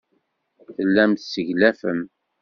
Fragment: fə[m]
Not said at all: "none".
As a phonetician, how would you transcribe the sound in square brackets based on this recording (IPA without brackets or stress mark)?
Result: m